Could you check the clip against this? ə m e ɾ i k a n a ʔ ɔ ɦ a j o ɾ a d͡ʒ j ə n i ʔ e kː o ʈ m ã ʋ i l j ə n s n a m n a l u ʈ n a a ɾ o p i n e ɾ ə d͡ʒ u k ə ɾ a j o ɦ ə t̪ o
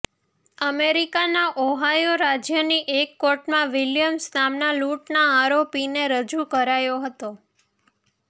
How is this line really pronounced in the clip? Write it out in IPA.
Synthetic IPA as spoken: ə m e ɾ i k a n a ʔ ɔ ɦ a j o ɾ a d͡ʒ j ə n i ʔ e kː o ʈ m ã ʋ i l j ə m s n a m n a l u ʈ n a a ɾ o p i n e ɾ ə d͡ʒ u k ə ɾ a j o ɦ ə t̪ o